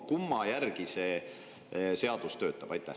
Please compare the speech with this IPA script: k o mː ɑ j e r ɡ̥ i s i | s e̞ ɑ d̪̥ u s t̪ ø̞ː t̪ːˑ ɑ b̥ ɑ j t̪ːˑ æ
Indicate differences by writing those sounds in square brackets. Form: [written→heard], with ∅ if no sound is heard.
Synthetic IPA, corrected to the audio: k [o→u] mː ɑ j [e→æ] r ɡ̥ i s [i→e] | s e̞ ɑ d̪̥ u s t̪ ø̞ː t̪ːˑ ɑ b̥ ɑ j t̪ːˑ æ

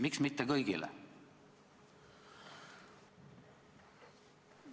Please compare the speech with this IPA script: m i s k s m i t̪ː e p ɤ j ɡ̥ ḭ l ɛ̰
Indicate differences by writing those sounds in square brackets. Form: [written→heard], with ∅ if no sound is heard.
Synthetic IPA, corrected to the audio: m i [s→∅] k s m i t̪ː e [p→k] ɤ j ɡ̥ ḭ l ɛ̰

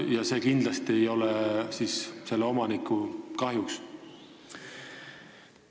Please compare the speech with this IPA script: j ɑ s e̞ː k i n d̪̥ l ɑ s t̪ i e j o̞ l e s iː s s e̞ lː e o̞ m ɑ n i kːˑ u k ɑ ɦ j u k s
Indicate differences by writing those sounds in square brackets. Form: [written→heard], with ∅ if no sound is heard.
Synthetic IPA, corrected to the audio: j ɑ s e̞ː k i n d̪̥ l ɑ s t̪ i e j o̞ l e s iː s s e̞ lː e o̞ m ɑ n i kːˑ u k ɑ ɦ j u k s

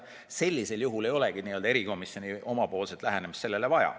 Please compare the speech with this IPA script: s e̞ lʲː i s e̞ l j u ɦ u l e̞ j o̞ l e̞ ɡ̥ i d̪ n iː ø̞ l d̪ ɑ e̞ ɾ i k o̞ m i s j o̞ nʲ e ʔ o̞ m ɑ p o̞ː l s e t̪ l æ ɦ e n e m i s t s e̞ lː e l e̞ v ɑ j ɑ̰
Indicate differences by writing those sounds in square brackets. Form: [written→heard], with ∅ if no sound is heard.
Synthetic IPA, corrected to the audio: s e̞ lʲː i s e̞ l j u ɦ u l e̞ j o̞ l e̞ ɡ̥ i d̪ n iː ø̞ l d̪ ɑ e̞ ɾ i k o̞ m i s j o̞ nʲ [e→i] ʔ o̞ m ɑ p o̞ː l s e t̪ l æ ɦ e n e m i s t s e̞ lː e l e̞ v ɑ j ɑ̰

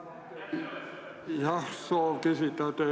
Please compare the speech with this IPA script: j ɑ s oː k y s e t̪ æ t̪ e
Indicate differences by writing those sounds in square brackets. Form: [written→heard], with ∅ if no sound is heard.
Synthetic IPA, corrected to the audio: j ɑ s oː k [y→i] s [e→i] t̪ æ t̪ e

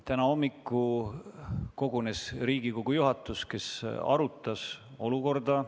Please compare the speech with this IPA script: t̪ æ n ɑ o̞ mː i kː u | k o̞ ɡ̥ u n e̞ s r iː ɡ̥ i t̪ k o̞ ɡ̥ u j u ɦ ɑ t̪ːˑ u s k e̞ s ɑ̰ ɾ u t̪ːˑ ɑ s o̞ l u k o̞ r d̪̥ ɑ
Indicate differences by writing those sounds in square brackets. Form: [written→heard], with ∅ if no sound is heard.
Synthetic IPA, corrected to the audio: t̪ æ n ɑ o̞ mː i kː u | k o̞ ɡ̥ u n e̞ s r iː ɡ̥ i [t̪→∅] k o̞ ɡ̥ u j u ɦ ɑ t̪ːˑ u s k e̞ s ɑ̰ ɾ u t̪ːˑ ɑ s o̞ l u k o̞ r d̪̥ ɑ

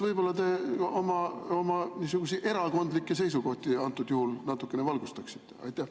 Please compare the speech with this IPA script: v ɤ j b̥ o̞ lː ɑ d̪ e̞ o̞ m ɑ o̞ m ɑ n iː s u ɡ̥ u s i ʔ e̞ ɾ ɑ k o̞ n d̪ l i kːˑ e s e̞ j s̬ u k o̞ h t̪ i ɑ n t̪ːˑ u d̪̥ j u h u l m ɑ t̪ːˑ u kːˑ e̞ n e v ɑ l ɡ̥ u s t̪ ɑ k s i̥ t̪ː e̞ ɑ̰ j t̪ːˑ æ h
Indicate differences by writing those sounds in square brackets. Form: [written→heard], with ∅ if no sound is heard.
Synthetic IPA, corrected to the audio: v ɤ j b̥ o̞ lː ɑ [d̪→t̪] e̞ o̞ m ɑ o̞ m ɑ n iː s u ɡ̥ u s i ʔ e̞ ɾ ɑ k o̞ n d̪ l i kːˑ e s e̞ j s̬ u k o̞ h t̪ i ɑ n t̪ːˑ u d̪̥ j u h u l [m→n] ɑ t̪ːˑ u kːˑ e̞ n e v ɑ l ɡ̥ u s t̪ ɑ k s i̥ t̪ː e̞ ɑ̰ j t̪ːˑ æ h

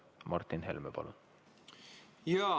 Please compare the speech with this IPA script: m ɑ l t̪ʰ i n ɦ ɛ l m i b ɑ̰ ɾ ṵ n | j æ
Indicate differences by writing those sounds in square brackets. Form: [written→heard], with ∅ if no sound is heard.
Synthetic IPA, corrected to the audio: m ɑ [l→ɾ] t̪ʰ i n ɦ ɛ l m [i→ɛ] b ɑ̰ [ɾ→l] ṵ n | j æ

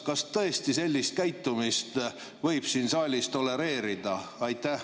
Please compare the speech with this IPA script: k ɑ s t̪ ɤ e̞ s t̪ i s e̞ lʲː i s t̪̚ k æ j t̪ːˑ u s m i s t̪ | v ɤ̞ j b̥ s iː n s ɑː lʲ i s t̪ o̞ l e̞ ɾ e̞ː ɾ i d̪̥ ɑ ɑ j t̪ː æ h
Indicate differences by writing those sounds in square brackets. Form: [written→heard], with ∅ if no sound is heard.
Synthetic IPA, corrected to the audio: k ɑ s t̪ ɤ e̞ s t̪ i s e̞ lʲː i s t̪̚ k æ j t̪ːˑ u [s→∅] m i s t̪ | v ɤ̞ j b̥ s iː n s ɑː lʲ i s t̪ o̞ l e̞ ɾ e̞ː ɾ i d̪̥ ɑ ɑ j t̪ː æ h

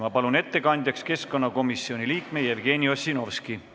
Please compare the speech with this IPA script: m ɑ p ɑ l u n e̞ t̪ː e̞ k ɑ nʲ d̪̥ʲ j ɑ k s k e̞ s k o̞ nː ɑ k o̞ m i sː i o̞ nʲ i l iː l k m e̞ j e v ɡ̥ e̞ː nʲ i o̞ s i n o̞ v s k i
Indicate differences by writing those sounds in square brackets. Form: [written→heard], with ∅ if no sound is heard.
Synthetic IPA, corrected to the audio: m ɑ p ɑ l u n e̞ t̪ː e̞ k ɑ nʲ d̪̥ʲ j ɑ k s k e̞ s k o̞ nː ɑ k o̞ m i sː i o̞ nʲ i l iː [l→∅] k m e̞ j e v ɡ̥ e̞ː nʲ i o̞ s i n o̞ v s k i

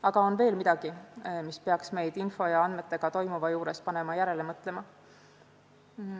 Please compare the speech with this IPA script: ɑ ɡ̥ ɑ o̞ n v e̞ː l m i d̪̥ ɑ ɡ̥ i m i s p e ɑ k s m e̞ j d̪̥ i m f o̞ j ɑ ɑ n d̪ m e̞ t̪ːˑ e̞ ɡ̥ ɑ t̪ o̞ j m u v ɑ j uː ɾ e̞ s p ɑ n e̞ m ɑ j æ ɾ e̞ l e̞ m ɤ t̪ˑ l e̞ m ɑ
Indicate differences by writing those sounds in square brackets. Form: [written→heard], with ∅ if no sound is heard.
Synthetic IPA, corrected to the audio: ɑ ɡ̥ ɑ o̞ n v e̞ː l m i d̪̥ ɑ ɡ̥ i m i s p e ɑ k s m e̞ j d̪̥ i [m→n] f o̞ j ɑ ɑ n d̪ m e̞ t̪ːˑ e̞ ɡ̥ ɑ t̪ o̞ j m u v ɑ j uː ɾ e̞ s p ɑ n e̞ m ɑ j æ ɾ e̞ l e̞ m ɤ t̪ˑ l e̞ m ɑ

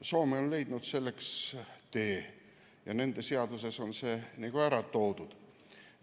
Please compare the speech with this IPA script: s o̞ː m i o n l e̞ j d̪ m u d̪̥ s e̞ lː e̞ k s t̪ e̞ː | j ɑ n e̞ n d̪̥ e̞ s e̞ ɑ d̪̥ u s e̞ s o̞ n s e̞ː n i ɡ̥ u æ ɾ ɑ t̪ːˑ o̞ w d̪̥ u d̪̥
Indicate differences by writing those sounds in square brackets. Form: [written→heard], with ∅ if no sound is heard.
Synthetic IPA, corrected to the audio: s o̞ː m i o n l e̞ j d̪ [m→n] u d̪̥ s e̞ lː e̞ k s t̪ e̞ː | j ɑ n e̞ n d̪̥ e̞ s e̞ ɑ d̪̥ u s e̞ s o̞ n s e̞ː n i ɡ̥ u æ ɾ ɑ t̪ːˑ o̞ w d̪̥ u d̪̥

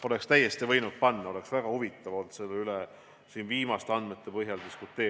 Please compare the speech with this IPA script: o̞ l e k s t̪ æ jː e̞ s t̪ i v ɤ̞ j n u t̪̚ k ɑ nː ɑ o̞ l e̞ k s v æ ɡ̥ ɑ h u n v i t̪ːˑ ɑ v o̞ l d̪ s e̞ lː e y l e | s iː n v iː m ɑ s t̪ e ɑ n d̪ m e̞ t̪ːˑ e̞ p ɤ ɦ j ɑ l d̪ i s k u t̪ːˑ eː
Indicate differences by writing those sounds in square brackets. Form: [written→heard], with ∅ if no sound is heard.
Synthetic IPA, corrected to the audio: o̞ l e k s t̪ æ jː e̞ s t̪ i v ɤ̞ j n u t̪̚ [k→p] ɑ nː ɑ o̞ l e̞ k s v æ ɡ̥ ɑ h u [n→∅] v i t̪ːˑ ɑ v o̞ l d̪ s e̞ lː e y l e | s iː n v iː m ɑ s t̪ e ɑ n d̪ m e̞ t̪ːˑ e̞ p ɤ ɦ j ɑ l d̪ i s k u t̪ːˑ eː

